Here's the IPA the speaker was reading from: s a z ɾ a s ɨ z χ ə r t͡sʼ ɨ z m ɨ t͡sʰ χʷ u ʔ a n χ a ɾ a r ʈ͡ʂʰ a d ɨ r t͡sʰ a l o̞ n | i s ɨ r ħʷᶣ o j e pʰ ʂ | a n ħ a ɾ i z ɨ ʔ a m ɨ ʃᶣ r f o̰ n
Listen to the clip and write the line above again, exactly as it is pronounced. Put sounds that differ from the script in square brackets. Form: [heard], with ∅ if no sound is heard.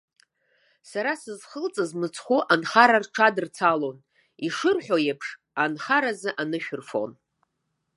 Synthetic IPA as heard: s a [∅] ɾ a s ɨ z χ ə [l] t͡sʼ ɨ z m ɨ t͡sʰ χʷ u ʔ a n χ a ɾ a r ʈ͡ʂʰ a d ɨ r t͡sʰ a l o̞ n | i [ʂ] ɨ r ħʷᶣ o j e pʰ ʂ | a n [χ] a ɾ [a] z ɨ ʔ a [n] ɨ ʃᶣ r f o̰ n